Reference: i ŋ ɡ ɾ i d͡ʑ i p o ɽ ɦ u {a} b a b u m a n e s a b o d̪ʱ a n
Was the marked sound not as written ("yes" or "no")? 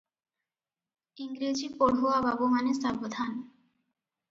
no